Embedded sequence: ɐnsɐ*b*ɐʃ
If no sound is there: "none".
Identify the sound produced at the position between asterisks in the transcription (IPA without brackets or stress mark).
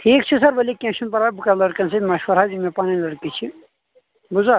m